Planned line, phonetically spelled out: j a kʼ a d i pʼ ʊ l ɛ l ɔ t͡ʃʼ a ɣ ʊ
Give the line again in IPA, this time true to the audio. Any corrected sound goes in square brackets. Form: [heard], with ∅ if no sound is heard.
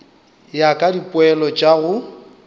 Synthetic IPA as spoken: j a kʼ a d i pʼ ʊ [∅] ɛ l ɔ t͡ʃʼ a ɣ ʊ